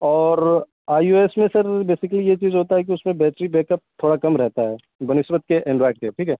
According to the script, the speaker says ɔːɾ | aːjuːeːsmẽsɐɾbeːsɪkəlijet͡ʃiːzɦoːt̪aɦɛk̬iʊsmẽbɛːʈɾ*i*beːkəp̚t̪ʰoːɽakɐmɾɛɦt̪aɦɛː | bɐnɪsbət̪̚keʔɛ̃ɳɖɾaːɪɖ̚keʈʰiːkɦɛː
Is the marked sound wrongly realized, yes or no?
no